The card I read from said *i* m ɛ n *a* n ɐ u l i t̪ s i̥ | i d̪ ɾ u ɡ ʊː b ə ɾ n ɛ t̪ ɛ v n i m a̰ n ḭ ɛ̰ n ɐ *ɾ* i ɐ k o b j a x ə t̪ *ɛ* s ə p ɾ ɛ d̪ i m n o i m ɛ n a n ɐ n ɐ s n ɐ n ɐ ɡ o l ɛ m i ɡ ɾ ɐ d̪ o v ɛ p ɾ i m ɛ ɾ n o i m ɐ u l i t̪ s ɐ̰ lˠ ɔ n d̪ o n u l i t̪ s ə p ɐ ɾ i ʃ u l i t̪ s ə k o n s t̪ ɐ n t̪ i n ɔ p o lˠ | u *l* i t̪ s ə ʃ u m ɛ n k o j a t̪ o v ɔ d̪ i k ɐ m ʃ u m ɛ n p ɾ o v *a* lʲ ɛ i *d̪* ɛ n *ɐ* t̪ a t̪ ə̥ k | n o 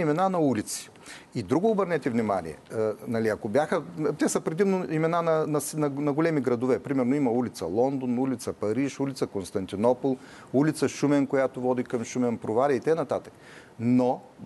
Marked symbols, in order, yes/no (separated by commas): yes, yes, no, yes, yes, yes, no, yes